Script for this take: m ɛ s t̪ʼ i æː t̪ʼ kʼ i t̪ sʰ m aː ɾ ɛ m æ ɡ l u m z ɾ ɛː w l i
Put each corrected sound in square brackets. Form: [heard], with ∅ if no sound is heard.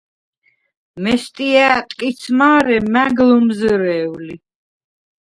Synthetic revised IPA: m ɛ s t̪ʼ i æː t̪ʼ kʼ i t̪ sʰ m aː ɾ ɛ m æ ɡ l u m z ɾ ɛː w l i